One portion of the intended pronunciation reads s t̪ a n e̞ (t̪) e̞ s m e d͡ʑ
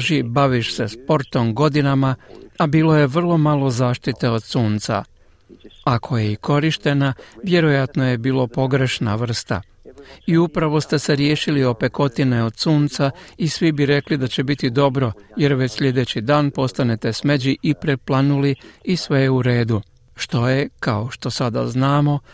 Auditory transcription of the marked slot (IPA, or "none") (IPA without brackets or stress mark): t̪